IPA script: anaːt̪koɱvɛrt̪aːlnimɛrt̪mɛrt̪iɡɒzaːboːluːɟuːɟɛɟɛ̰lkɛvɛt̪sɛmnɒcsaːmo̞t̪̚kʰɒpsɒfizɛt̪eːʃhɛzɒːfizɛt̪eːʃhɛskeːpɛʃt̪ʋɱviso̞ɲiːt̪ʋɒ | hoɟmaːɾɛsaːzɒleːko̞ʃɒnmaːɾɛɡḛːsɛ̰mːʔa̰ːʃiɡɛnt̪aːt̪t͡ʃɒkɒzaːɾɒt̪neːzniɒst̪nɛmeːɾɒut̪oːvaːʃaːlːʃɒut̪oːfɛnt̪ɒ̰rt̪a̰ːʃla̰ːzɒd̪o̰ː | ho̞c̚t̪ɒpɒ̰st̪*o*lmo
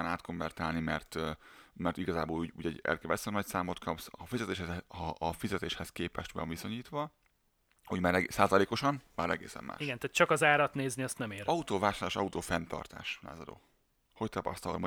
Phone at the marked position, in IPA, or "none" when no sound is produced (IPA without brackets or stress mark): ɒ